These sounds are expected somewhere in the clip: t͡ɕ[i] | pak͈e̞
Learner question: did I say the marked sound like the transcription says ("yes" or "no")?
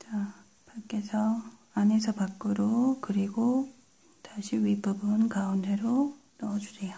no